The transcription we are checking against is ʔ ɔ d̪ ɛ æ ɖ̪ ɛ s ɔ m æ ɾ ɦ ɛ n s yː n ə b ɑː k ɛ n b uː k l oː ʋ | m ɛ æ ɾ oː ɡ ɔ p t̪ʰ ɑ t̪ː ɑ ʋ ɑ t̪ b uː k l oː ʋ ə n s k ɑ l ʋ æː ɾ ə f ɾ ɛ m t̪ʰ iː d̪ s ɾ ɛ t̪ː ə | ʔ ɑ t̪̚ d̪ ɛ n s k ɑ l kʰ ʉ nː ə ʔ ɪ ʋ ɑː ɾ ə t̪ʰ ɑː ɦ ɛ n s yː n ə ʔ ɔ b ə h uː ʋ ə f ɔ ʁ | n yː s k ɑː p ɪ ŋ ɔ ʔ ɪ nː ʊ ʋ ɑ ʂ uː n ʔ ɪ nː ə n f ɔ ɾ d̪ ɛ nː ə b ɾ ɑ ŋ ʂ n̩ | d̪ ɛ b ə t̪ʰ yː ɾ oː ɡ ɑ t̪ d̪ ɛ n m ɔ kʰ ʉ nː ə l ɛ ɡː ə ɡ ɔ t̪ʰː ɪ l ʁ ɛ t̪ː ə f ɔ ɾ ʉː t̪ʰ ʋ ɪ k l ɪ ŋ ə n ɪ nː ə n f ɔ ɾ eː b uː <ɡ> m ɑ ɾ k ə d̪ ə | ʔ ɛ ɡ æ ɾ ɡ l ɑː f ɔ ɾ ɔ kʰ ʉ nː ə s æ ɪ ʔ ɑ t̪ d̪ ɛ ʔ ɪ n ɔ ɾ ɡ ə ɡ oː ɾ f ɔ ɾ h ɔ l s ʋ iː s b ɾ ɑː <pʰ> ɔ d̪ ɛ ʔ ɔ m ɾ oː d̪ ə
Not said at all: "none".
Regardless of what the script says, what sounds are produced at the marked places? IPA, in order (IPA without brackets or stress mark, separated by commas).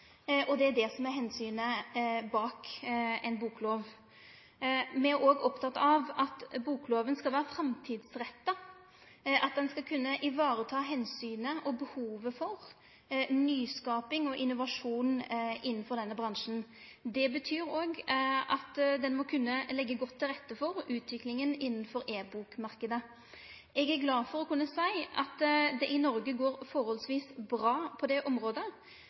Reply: k, pʰ